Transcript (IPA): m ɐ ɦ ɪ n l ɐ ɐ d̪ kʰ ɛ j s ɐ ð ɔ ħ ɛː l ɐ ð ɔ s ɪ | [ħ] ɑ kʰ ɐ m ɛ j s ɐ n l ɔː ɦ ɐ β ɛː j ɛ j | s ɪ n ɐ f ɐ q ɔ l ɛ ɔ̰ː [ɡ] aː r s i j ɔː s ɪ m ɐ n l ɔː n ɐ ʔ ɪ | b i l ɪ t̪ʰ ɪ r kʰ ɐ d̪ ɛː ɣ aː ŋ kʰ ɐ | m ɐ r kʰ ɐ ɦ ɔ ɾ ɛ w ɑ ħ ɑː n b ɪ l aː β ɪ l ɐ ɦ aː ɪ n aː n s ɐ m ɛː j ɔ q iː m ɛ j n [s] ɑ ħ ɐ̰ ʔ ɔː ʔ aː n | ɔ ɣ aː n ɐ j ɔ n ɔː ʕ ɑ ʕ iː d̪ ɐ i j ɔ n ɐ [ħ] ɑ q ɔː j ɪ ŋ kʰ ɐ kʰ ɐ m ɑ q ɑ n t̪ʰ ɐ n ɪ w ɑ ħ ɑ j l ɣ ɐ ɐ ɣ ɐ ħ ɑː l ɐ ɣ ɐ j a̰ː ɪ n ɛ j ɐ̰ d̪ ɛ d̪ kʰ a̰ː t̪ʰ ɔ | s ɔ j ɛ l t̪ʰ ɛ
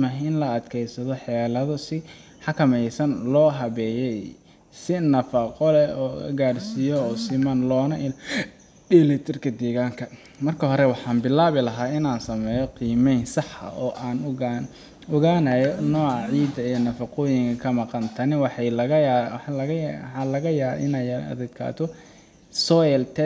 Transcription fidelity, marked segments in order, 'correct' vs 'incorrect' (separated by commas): correct, correct, correct, incorrect